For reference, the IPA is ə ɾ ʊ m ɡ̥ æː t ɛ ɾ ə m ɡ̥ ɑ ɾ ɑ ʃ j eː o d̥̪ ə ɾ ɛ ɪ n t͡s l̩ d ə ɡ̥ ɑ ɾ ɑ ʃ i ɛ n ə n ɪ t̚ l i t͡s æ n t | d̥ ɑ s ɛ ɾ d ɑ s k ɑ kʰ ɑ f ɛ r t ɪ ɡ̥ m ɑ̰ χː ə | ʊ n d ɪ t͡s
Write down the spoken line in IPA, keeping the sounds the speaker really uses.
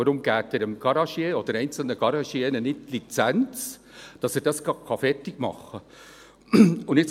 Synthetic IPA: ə ɾ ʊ m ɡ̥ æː t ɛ ɾ ə m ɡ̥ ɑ ɾ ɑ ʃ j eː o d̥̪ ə ɾ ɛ ɪ n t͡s l̩ n ə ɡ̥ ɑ ɾ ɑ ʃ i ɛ n ə n ɪ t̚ l i t͡s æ n t͡s | d̥ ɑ s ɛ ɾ d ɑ s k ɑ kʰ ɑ f ɛ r t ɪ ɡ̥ m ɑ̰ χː ə | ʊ n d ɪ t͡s